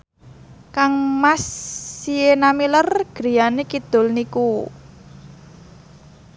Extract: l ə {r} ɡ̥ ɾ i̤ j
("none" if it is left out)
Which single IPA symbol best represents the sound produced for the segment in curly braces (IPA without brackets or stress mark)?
r